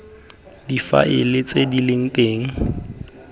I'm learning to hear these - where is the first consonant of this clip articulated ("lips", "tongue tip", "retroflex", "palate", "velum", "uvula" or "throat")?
tongue tip